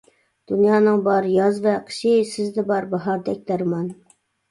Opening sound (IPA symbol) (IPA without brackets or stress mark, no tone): d̪̥